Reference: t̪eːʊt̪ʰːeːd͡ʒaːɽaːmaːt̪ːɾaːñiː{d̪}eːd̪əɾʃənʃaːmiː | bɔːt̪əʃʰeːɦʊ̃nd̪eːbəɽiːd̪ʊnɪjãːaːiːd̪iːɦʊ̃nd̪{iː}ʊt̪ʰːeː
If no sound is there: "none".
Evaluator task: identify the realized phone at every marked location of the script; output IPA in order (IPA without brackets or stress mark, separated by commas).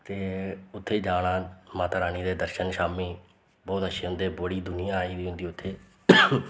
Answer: d̪, iː